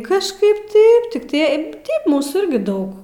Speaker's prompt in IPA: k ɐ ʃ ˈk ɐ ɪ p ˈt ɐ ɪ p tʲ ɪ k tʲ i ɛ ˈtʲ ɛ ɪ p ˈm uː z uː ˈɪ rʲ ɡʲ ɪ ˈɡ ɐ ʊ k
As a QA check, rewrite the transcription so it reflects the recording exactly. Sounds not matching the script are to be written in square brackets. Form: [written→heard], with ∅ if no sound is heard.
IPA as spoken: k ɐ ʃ ˈk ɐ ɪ p ˈt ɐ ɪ p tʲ ɪ k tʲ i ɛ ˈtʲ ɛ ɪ p ˈm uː [z→s] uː ˈɪ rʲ ɡʲ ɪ [ˈɡ→ˈd] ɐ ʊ k